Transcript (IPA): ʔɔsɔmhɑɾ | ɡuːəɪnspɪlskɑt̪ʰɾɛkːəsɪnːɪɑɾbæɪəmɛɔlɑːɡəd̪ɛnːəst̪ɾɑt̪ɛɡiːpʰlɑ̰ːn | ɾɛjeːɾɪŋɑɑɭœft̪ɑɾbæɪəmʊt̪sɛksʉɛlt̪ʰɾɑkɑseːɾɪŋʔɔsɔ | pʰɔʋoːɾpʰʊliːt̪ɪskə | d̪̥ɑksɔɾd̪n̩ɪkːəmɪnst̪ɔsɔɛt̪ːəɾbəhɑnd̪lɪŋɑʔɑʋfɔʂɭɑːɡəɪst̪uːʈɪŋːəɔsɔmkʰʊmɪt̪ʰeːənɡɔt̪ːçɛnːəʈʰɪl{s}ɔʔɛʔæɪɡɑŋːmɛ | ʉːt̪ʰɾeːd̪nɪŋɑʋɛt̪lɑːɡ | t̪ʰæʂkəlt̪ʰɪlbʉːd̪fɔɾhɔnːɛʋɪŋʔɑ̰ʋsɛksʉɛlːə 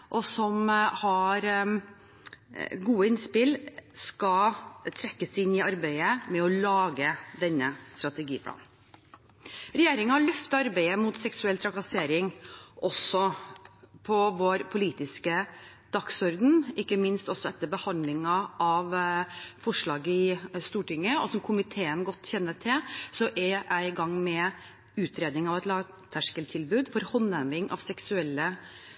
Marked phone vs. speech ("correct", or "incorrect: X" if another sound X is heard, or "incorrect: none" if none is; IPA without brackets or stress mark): correct